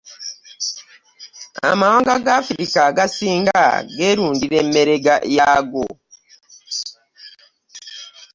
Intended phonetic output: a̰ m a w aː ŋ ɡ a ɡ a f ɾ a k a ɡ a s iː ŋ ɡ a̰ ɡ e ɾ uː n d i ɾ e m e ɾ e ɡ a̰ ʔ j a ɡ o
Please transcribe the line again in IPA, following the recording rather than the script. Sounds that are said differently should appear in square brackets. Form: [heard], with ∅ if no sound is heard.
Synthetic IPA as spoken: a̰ m a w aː ŋ ɡ a ɡ a f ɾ [i] k a ɡ a s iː ŋ ɡ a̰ ɡ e ɾ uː n d i ɾ e m e ɾ e ɡ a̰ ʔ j a ɡ o